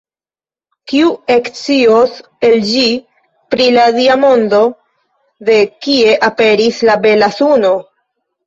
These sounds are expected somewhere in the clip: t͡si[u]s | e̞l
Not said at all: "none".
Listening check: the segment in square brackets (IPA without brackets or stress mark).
o